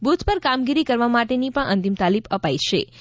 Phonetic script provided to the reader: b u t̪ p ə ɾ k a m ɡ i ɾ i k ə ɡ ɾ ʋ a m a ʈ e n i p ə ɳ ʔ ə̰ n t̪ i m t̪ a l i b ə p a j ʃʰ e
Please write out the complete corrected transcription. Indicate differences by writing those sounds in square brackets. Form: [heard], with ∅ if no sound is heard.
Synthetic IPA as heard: b u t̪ p ə ɾ k a m ɡ i ɾ i k ə [∅] ɾ ʋ a m a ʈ e n i p ə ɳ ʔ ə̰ n t̪ i m t̪ a l i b ə p a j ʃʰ e